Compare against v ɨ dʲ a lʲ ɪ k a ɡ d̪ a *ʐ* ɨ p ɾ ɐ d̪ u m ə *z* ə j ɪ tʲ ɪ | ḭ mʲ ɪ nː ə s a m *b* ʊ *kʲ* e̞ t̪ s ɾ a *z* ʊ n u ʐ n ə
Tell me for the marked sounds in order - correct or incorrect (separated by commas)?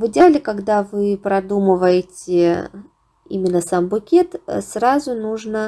incorrect, incorrect, correct, correct, correct